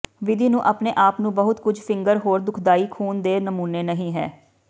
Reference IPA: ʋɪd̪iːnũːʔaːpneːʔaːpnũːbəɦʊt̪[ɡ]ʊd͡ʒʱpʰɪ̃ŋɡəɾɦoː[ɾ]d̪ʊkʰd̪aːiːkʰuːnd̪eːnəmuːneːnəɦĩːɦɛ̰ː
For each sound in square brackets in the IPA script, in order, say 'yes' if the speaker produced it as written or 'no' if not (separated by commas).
no, yes